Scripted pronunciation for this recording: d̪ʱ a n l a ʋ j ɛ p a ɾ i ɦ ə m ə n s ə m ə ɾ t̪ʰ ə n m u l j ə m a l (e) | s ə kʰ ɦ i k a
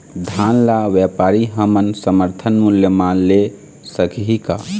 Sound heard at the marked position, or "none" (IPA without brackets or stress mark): e